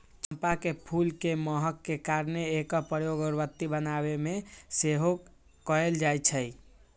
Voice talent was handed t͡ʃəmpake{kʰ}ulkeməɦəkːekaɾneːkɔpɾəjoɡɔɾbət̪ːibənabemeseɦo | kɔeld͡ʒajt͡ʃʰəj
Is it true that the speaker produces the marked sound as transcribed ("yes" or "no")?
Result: no